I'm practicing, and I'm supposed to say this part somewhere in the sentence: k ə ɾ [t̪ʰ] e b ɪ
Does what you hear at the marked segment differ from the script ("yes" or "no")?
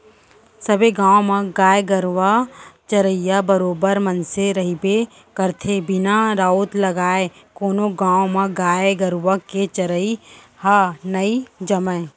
no